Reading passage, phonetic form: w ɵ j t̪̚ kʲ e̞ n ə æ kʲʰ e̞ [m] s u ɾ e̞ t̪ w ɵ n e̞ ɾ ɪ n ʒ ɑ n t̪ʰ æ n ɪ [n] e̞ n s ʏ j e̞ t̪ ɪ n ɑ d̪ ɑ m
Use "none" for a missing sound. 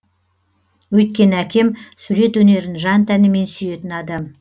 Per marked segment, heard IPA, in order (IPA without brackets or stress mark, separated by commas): m, m